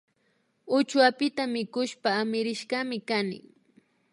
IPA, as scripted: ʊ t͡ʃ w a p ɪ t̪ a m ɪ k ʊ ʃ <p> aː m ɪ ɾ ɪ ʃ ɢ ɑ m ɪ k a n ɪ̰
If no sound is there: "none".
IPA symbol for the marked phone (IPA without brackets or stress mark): p